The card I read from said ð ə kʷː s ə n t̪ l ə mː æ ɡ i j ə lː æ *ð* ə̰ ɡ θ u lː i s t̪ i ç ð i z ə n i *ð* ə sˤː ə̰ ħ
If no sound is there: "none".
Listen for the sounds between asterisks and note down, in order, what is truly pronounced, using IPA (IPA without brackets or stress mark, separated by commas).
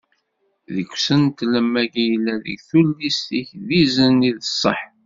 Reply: ð, ð